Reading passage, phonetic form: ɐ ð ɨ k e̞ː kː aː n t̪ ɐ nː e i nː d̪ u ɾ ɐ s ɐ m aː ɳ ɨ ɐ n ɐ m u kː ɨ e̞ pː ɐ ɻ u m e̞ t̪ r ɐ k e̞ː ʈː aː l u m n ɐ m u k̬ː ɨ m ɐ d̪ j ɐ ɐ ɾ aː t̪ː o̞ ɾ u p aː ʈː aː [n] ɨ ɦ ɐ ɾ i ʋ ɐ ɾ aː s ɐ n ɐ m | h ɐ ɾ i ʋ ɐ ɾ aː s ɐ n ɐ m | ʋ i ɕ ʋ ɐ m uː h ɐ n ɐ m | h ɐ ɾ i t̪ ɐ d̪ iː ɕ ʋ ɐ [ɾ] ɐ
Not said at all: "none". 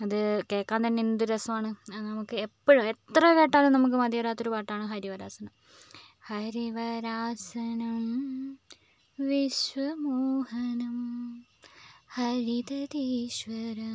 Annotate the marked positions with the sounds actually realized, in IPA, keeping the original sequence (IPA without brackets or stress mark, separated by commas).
ɳ, ɾ